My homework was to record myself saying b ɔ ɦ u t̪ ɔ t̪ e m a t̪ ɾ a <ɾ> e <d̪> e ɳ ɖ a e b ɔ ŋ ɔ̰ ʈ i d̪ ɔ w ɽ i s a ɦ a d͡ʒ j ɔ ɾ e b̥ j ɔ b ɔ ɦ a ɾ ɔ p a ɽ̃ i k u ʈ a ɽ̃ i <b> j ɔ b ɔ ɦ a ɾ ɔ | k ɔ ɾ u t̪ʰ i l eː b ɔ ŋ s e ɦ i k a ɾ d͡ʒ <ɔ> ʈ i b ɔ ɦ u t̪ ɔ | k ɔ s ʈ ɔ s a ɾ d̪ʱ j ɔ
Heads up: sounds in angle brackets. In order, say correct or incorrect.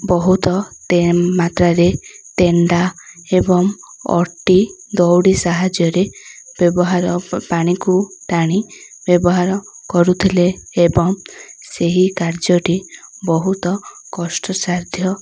correct, incorrect: t̪, correct, correct

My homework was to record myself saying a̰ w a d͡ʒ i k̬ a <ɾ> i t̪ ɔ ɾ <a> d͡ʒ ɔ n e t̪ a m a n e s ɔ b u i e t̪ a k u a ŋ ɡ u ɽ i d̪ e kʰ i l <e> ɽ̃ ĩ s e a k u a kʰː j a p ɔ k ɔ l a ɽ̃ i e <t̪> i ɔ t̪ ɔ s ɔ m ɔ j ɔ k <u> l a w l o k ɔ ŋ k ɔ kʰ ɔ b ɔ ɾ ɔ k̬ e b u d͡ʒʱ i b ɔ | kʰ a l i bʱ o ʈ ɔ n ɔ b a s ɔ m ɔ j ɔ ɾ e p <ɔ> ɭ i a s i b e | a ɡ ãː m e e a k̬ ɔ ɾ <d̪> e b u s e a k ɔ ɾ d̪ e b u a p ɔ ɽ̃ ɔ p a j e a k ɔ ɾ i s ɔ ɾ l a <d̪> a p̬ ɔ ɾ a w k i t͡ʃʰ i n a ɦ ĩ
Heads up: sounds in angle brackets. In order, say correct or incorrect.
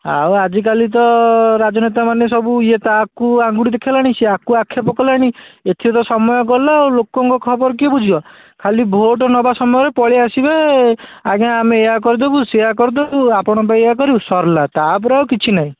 incorrect: l, correct, incorrect: a, incorrect: t̪ʰ, incorrect: ɔ, correct, correct, incorrect: t̪

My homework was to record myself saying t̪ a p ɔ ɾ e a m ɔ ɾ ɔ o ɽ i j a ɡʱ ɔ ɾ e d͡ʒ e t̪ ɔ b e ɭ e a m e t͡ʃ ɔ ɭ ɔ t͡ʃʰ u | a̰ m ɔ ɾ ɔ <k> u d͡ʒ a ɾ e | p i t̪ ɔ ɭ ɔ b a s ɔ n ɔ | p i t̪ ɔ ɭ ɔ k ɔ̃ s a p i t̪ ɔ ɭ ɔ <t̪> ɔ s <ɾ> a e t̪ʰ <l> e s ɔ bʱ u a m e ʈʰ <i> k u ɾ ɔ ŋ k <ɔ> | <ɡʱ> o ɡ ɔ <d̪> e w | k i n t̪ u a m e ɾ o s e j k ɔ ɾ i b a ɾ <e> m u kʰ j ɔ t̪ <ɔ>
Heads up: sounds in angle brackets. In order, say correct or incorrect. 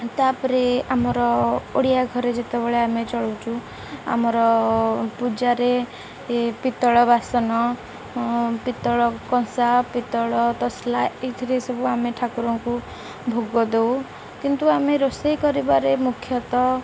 incorrect: p, correct, incorrect: l, incorrect: ɾ, incorrect: a, incorrect: u, incorrect: bʱ, correct, correct, correct

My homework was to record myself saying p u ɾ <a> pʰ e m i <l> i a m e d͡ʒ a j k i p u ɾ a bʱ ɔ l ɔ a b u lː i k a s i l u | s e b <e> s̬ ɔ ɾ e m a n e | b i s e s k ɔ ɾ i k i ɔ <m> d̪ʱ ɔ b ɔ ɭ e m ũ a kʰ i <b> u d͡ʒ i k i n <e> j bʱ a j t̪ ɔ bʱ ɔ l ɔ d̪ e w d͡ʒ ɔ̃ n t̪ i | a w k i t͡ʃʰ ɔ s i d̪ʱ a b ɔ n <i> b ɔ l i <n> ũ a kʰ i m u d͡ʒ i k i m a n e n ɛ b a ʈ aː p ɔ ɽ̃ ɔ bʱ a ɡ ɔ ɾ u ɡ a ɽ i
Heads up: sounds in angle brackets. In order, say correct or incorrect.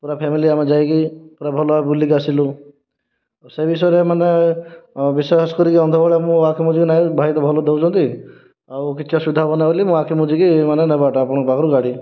correct, correct, incorrect: i, incorrect: n, incorrect: m, incorrect: a, incorrect: a, incorrect: m

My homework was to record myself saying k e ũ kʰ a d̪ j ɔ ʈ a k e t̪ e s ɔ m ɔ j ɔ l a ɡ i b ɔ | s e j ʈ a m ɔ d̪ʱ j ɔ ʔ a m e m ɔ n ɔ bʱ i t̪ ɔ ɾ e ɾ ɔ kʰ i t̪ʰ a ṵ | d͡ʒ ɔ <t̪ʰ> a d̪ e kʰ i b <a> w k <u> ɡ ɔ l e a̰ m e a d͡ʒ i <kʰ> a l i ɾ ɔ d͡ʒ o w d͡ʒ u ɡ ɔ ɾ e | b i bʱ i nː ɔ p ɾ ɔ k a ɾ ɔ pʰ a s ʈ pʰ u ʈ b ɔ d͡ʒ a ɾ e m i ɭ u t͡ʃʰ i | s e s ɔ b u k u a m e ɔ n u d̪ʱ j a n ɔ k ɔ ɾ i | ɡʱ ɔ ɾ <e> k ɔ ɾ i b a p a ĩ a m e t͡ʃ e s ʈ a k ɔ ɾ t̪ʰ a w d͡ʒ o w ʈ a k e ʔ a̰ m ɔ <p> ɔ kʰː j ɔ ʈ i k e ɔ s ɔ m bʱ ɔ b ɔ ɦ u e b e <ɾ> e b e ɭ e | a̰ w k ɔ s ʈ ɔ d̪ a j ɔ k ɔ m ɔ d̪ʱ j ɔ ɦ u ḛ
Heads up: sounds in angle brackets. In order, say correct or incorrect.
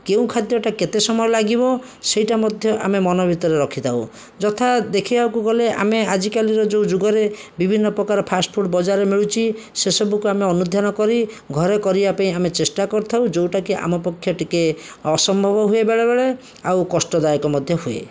correct, correct, correct, incorrect: k, correct, correct, incorrect: ɭ

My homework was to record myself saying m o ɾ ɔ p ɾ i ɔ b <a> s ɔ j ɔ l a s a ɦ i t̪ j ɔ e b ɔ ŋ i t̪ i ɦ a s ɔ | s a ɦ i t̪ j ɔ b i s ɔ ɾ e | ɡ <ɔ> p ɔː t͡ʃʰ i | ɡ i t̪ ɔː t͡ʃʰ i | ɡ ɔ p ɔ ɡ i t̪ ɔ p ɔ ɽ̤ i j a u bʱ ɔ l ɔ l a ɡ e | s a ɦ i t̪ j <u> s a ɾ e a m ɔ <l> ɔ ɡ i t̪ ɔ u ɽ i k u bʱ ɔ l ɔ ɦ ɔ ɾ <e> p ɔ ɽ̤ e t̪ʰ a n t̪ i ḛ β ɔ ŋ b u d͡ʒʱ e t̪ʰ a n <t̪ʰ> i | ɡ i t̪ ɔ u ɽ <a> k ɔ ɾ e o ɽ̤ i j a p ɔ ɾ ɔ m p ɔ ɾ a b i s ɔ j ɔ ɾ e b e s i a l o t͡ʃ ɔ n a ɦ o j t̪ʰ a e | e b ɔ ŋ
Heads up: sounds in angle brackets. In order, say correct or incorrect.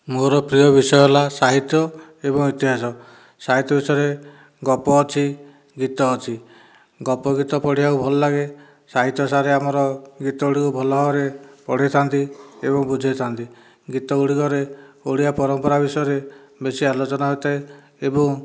incorrect: i, correct, incorrect: ɔ, incorrect: ɾ, correct, incorrect: t̪, incorrect: i

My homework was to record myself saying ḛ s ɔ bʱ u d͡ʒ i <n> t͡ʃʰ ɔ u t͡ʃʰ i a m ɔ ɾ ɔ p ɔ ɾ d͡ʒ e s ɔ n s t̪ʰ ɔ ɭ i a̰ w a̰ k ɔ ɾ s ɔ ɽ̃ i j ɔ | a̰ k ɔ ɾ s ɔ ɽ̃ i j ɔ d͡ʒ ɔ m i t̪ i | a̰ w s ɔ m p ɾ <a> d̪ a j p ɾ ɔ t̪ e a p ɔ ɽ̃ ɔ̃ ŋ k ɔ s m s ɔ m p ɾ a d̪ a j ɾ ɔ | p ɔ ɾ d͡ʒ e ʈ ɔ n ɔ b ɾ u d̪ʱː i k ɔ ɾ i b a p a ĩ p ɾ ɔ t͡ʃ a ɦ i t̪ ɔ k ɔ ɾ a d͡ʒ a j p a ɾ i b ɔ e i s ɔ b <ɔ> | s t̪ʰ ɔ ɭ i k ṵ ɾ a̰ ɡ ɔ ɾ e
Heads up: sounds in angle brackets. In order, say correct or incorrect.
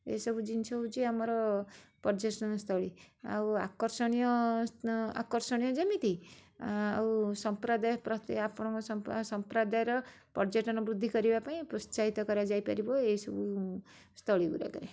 correct, correct, incorrect: u

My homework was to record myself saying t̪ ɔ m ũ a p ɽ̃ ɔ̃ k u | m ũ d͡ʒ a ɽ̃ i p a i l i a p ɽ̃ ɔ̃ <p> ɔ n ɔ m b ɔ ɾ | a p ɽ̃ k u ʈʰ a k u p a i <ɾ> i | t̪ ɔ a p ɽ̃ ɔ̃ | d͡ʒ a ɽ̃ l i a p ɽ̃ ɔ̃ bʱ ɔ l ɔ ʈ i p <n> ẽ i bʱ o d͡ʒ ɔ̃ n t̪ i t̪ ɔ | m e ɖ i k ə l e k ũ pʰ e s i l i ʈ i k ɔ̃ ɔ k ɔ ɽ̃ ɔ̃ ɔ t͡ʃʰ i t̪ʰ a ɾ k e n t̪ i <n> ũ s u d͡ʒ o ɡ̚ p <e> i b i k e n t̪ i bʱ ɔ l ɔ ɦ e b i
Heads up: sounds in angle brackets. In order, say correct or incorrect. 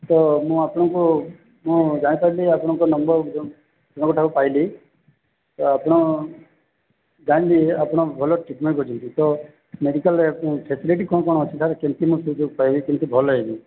incorrect: k, incorrect: l, incorrect: m, incorrect: m, incorrect: a

